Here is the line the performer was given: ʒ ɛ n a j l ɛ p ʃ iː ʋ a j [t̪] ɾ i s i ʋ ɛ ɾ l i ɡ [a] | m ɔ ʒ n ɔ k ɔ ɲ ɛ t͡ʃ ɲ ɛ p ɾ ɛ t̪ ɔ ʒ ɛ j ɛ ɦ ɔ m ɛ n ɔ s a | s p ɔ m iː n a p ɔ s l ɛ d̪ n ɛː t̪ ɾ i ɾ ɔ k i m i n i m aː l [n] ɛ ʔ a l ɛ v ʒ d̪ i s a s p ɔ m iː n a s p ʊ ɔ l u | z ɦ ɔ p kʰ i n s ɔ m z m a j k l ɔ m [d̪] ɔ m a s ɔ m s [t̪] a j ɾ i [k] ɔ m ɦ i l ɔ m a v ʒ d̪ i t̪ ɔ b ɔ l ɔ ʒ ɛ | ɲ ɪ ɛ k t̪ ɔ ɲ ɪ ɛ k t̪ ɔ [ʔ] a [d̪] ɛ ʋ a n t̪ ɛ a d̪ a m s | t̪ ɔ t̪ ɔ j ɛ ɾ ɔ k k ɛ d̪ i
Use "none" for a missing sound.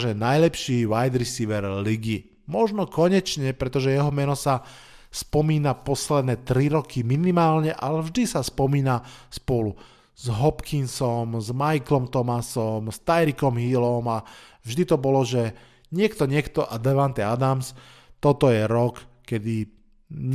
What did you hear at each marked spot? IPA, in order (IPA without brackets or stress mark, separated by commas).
d̪, i, ɲ, t̪, t̪, k, ʔ, d̪